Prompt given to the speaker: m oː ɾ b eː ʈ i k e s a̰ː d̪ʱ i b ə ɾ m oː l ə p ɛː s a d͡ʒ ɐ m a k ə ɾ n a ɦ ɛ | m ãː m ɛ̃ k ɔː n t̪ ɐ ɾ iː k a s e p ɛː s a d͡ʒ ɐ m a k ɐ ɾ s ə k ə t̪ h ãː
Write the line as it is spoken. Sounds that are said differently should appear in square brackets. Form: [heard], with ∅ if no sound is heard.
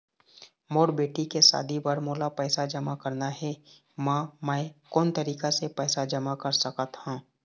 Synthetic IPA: m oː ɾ b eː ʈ i k e s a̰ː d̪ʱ i b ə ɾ m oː l [a] p ɛː s a d͡ʒ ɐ m a k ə ɾ n a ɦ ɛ | m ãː m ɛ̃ k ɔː n t̪ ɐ ɾ iː k a s e p ɛː s a d͡ʒ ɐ m a k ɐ ɾ s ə k ə t̪ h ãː